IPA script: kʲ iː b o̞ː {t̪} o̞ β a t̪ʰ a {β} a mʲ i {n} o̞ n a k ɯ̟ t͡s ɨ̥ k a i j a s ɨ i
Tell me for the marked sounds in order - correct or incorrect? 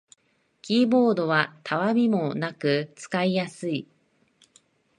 incorrect: d̪, correct, incorrect: m

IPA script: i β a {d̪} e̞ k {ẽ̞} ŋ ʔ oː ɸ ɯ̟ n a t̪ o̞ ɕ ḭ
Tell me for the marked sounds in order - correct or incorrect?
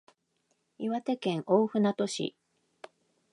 incorrect: t̪, correct

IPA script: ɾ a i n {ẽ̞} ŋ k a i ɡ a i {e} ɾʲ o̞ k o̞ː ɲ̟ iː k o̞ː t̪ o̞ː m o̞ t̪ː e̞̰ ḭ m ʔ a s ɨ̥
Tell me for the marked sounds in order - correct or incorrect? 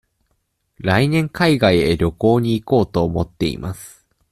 correct, correct

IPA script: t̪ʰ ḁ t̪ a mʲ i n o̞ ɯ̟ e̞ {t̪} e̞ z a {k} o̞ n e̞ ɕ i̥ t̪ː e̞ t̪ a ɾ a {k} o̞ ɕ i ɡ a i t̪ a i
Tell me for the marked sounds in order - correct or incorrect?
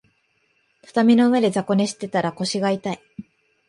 incorrect: d̪, correct, correct

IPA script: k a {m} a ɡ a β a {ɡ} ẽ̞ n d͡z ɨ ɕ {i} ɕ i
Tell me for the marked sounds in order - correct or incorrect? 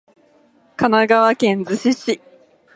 incorrect: n, incorrect: k, correct

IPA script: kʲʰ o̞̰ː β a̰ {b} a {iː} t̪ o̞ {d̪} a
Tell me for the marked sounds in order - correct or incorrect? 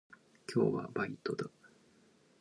correct, incorrect: i, correct

